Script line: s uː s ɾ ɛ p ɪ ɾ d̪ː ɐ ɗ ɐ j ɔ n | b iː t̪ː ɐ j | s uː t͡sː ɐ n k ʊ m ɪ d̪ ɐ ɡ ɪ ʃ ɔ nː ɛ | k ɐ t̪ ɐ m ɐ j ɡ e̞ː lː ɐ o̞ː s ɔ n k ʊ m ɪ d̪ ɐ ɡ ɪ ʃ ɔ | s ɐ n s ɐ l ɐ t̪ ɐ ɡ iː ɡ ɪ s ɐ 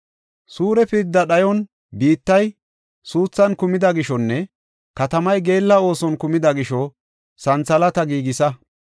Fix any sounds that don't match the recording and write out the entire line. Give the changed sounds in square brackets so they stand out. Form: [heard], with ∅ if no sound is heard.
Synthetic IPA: s uː [∅] ɾ ɛ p ɪ ɾ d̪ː ɐ ɗ ɐ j ɔ n | b iː t̪ː ɐ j | s uː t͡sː ɐ n k ʊ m ɪ d̪ ɐ ɡ ɪ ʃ ɔ nː ɛ | k ɐ t̪ ɐ m ɐ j ɡ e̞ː lː ɐ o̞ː s ɔ n k ʊ m ɪ d̪ ɐ ɡ ɪ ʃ ɔ | s ɐ n [t͡s] ɐ l ɐ t̪ ɐ ɡ iː ɡ ɪ s ɐ